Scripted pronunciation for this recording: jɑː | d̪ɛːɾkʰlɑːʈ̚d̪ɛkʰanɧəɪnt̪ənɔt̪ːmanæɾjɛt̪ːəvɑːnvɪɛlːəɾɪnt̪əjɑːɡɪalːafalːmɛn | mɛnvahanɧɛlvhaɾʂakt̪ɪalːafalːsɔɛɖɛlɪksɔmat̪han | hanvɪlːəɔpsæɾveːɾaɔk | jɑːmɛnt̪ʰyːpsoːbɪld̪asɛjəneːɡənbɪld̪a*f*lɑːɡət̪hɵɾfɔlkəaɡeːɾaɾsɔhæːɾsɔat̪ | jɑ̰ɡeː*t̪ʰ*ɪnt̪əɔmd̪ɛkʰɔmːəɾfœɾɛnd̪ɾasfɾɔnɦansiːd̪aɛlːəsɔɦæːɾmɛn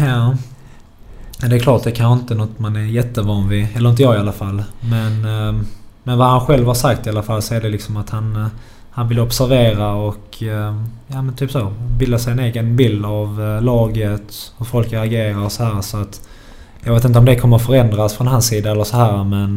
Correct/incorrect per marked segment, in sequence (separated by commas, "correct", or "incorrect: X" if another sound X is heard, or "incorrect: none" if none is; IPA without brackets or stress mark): incorrect: v, incorrect: t̪